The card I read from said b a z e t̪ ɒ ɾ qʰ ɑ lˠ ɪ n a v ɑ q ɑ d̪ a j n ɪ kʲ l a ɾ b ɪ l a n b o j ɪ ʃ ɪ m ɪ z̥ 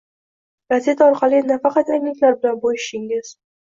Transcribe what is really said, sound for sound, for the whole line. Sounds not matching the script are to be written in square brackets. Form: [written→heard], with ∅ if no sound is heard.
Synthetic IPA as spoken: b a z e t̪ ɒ ɾ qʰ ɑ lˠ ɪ n a [v→f] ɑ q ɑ [d̪→t̪] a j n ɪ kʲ l a ɾ b ɪ l a n b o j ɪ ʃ ɪ [m→ŋ] ɪ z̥